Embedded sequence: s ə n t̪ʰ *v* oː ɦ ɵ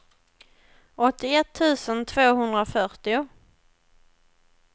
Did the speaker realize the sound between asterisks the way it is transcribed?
yes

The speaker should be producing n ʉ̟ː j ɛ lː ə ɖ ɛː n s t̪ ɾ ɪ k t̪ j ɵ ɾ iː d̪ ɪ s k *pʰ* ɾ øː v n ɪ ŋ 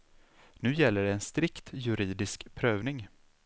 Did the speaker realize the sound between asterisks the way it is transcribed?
yes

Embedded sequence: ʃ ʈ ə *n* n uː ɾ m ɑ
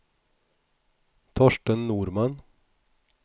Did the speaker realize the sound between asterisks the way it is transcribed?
yes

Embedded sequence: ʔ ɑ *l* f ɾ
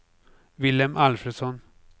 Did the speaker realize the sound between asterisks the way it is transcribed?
yes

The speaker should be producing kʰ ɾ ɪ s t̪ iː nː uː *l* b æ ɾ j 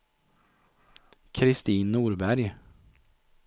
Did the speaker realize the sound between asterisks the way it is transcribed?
no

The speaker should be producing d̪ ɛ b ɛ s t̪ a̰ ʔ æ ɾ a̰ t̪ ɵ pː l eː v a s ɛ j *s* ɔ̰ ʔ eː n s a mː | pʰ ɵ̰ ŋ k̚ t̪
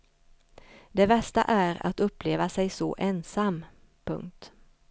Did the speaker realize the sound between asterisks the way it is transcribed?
yes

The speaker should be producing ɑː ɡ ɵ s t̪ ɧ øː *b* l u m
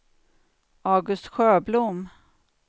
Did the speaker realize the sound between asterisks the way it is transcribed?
yes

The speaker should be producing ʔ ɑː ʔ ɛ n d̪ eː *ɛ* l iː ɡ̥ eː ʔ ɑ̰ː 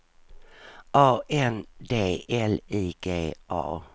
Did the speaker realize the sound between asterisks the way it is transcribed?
yes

